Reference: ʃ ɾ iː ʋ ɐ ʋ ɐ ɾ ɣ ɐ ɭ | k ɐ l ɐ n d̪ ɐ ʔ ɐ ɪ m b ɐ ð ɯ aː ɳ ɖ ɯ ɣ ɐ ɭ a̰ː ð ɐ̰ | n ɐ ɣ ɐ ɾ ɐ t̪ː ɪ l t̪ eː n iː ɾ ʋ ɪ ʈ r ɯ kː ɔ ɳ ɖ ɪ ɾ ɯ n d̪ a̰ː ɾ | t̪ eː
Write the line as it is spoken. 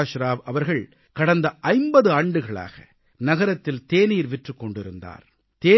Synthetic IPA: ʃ ɾ aː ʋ ɐ ʋ ɐ ɾ ɣ ɐ ɭ | k ɐ ɽ ɐ n d̪ ɐ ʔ ɐ ɪ m b ɐ ð ɯ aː ɳ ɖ ɯ ɣ ɐ ɭ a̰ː ɣ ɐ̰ | n ɐ ɣ ɐ ɾ ɐ t̪ː ɪ l t̪ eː n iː ɾ ʋ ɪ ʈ r ɯ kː ɔ ɳ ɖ ɪ ɾ ɯ n d̪ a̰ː ɾ | t̪ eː

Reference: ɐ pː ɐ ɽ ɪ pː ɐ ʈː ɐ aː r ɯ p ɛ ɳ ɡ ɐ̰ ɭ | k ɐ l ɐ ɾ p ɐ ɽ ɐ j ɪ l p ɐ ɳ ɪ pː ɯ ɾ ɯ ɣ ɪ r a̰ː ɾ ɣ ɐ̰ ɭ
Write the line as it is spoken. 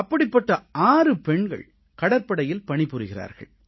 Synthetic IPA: ɐ pː ɐ ɽ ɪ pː ɐ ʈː ɐ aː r ɯ p ɛ ɳ ɡ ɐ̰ ɭ | k ɐ ɽ ɐ ɾ p ɐ ɽ ɐ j ɪ l p ɐ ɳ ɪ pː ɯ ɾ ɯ ɣ ɪ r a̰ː ɾ ɣ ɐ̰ ɭ

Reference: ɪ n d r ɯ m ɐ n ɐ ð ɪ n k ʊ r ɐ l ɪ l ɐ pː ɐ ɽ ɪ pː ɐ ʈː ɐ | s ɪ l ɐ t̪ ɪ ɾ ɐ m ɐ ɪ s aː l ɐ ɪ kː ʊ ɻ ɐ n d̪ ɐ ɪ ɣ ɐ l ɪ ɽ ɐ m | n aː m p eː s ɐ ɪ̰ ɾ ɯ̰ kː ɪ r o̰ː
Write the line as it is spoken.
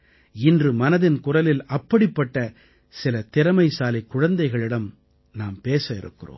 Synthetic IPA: ɪ n d r ɯ m ɐ n ɐ ð ɪ n k ʊ r ɐ l ɪ l ɐ pː ɐ ɽ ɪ pː ɐ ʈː ɐ | s ɪ l ɐ t̪ ɪ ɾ ɐ m ɐ ɪ s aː l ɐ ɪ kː ʊ ɻ ɐ n d̪ ɐ ɪ ɣ ɐ ɭ ɪ ɽ ɐ m | n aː m p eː s ɐ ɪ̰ ɾ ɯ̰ kː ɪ r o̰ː

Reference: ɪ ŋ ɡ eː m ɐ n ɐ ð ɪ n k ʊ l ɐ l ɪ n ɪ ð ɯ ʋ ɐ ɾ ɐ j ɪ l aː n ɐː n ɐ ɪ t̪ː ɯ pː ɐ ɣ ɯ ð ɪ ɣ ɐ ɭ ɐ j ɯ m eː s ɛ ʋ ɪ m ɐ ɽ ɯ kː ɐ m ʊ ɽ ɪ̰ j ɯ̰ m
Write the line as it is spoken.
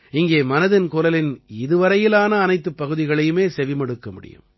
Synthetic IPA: ɪ ŋ ɡ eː m ɐ n ɐ ð ɪ n k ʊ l ɐ l ɪ n ɪ ð ɯ ʋ ɐ ɾ ɐ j ɪ l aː n ɐː n ɐ ɪ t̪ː ɯ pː ɐ ɣ ɯ ð ɪ ɣ ɐ ɭ ɐ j ɯ m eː s ɛ ʋ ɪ m ɐ ɽ ɯ kː ɐ m ʊ ɽ ɪ̰ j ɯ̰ m

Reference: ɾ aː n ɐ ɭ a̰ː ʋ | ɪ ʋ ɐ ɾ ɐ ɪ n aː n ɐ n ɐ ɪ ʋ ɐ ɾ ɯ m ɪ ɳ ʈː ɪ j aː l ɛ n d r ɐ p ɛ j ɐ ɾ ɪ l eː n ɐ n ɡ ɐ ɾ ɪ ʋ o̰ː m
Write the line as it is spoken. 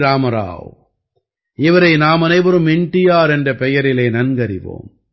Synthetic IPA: ɾ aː m ɐ ɾ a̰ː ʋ | ɪ ʋ ɐ ɾ ɐ ɪ n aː m ɐ n ɐ ɪ ʋ ɐ ɾ ɯ m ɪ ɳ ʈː ɪ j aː ɾ ɛ n d r ɐ p ɛ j ɐ ɾ ɪ l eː n ɐ n ɡ ɐ ɾ ɪ ʋ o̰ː m

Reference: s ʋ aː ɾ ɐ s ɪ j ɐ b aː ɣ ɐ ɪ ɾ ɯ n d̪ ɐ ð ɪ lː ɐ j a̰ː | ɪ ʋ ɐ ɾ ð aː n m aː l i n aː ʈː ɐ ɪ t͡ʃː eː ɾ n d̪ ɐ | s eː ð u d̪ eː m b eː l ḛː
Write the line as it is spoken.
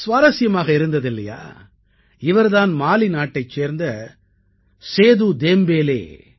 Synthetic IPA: s ʋ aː ɾ ɐ s ɪ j ɐ m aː ɣ ɐ ɪ ɾ ɯ n d̪ ɐ ð ɪ lː ɐ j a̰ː | ɪ ʋ ɐ ɾ ð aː n m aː l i n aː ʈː ɐ ɪ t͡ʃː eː ɾ n d̪ ɐ | s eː ð u d̪ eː m b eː l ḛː

